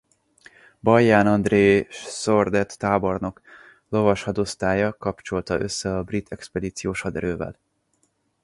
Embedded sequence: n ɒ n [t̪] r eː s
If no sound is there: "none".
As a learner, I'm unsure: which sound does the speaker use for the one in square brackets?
d̪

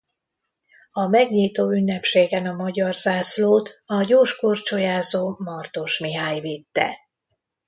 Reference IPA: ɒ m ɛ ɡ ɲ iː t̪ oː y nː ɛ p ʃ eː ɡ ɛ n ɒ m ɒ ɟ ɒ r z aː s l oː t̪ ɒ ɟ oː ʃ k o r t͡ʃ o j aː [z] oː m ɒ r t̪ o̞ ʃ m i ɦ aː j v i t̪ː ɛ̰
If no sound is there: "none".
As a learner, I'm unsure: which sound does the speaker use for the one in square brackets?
z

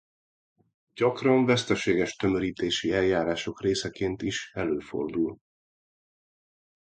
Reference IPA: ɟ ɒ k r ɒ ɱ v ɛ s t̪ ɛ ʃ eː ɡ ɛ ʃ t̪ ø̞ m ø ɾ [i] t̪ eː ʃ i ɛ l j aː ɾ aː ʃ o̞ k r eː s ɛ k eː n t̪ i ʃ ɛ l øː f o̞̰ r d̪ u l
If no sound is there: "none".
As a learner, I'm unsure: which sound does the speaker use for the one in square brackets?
iː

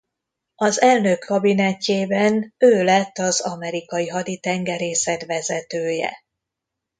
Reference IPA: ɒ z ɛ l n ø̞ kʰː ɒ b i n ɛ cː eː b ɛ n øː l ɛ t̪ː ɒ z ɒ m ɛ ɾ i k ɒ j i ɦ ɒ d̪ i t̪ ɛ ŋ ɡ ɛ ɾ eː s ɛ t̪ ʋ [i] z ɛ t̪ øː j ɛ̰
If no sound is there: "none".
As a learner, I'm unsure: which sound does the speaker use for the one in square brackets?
ɛ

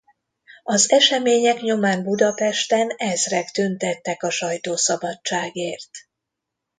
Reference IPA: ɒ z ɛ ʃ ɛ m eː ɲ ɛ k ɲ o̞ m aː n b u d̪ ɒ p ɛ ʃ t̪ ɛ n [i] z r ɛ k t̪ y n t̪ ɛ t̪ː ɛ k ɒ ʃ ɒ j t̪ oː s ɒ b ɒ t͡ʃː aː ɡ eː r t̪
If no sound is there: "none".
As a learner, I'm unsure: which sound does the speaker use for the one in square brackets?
ɛ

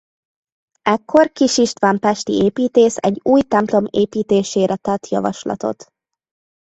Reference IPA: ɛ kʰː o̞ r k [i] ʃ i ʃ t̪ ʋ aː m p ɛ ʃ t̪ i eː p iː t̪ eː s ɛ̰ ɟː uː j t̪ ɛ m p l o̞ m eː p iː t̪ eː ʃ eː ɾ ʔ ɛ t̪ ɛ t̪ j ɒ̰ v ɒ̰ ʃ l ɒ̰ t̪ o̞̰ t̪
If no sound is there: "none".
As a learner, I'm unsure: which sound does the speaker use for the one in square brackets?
i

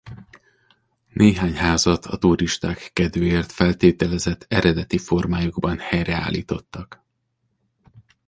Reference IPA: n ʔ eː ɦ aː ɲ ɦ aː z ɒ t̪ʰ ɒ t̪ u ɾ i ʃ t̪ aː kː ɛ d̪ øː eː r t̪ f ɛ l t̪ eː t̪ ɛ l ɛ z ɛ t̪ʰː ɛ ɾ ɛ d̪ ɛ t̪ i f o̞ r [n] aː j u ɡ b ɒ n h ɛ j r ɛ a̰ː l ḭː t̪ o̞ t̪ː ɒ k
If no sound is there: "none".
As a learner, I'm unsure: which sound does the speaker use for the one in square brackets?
m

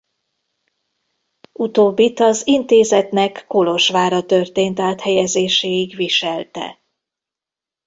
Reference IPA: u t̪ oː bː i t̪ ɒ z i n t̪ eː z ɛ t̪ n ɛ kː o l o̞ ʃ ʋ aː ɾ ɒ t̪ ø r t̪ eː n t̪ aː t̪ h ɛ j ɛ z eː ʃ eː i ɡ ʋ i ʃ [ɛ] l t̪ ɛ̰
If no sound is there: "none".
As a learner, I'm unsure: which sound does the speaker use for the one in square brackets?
ɛ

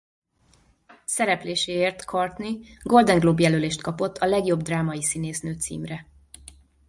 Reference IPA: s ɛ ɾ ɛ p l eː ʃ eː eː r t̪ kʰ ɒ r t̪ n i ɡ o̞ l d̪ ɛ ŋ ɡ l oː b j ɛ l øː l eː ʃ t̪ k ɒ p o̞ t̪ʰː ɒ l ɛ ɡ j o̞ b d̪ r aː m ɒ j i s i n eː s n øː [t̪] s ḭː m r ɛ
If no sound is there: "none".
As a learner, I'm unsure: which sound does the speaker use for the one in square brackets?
t̪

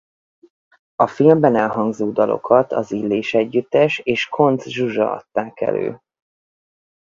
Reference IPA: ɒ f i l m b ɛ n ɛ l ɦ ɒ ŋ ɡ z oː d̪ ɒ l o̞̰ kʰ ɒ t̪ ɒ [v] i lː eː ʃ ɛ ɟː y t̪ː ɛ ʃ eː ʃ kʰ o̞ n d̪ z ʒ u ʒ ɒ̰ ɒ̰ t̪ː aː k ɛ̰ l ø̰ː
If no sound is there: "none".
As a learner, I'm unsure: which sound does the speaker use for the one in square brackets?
z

